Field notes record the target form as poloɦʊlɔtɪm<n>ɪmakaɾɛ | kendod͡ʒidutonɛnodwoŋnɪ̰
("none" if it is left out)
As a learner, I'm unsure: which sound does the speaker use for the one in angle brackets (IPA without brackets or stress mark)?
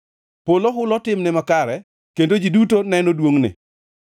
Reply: n